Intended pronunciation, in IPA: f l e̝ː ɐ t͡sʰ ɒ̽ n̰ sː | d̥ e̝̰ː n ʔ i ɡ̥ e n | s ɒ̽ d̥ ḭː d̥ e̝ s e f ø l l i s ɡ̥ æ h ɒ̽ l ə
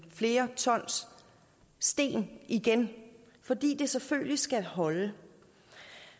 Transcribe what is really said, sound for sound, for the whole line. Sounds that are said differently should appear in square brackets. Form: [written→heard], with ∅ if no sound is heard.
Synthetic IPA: f l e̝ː ɐ t͡sʰ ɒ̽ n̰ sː | d̥ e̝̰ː n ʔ i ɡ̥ e n | [s→f] ɒ̽ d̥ ḭː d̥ e̝ s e f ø l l i s ɡ̥ æ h ɒ̽ l ə